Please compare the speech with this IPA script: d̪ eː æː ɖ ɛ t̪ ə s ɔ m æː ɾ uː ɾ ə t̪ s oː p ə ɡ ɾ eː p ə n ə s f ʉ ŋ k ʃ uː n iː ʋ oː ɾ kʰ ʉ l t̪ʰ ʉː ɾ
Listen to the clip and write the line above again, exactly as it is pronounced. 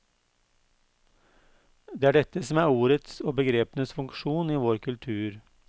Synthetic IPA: d̪ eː æː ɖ ɛ t̪ ə s ɔ m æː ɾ uː ɾ ə t̪ s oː b ə ɡ ɾ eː p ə n ə s f ʉ ŋ k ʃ uː n iː ʋ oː ɾ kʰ ʉ l t̪ʰ ʉː ɾ